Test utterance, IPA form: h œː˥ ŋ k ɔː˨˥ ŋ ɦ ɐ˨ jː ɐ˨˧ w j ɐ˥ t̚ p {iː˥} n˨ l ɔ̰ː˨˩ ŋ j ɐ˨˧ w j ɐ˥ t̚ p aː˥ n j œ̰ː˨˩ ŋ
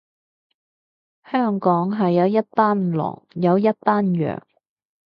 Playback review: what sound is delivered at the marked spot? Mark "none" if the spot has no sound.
aː˥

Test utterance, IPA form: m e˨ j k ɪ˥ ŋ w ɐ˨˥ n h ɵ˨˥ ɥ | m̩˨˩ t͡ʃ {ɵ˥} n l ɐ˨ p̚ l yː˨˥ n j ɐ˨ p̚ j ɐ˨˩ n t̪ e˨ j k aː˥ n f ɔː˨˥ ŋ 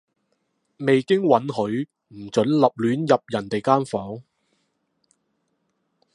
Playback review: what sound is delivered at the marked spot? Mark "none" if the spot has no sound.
ɵ˨˥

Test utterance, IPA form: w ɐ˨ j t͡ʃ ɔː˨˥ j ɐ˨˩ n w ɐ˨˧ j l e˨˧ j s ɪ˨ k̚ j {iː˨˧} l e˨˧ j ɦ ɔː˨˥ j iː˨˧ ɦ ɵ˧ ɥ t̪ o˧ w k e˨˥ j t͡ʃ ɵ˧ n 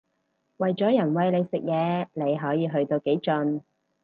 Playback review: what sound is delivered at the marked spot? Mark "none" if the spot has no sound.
ɛː˨˧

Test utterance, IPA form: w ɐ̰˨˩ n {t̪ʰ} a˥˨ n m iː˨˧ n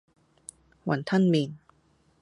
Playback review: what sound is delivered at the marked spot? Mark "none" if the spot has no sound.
t̪ʰ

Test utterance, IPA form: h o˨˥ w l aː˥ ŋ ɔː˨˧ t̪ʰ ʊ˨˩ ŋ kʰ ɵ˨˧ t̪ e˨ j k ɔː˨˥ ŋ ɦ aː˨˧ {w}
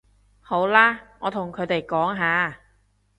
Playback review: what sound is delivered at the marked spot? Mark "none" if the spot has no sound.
none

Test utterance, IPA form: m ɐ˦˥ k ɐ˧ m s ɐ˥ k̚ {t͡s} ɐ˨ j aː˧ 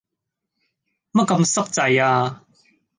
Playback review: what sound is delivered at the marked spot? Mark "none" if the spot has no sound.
t͡s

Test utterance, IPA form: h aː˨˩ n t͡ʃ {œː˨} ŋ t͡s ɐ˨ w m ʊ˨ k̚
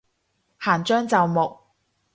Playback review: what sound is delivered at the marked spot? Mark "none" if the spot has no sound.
œː˥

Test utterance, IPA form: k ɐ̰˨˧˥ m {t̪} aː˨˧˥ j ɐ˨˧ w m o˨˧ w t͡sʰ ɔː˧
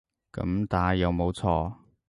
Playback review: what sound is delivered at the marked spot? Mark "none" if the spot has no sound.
t̪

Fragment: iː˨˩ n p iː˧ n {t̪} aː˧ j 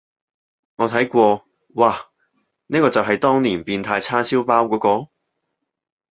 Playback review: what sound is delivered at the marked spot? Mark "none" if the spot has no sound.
t̪ʰ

